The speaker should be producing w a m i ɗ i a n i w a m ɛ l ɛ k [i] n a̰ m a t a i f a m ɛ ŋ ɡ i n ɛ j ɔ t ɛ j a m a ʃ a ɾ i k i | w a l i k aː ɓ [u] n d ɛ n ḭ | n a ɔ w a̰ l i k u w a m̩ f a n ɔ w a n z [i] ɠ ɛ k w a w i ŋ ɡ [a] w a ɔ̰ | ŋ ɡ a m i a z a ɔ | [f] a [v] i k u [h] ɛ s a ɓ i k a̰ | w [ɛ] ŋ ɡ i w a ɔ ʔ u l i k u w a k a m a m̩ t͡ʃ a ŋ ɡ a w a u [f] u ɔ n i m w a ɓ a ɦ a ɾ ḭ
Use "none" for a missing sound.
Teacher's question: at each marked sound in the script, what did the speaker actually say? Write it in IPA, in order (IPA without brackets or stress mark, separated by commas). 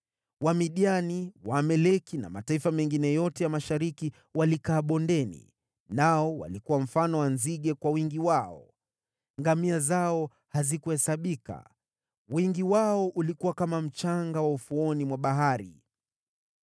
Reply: i, ɔ, i, i, h, z, h, i, f